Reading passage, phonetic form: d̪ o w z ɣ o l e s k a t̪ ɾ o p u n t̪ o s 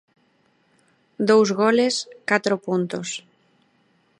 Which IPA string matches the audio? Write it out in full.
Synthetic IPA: d̪ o w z ɣ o l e s k a t̪ ɾ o p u n t̪ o s